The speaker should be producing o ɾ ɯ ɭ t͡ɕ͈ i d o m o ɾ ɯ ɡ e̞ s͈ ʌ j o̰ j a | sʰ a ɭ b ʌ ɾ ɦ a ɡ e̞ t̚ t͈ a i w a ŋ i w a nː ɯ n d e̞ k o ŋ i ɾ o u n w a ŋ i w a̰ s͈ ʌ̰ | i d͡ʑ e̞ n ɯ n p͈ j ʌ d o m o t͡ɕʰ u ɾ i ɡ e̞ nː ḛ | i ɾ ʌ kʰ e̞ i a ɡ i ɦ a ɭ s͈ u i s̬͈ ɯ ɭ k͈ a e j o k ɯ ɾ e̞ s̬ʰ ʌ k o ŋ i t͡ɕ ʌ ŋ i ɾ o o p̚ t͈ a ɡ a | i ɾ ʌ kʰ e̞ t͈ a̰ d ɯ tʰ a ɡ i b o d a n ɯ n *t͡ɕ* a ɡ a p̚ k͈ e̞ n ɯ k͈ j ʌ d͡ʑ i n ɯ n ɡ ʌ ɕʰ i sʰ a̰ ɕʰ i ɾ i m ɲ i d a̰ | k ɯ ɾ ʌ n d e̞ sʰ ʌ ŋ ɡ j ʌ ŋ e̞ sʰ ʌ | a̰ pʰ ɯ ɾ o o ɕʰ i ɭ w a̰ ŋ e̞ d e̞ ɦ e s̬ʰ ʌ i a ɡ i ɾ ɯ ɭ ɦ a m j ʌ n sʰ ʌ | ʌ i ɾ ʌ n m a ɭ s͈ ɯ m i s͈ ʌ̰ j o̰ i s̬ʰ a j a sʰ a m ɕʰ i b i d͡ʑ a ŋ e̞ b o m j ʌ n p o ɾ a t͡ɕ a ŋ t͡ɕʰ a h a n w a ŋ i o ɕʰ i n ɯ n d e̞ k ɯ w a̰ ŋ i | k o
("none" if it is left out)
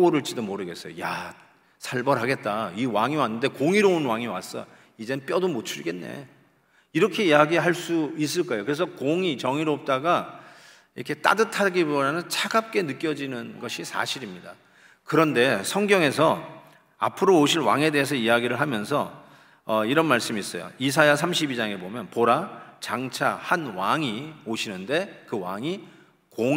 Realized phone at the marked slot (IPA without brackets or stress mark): t͡ɕʰ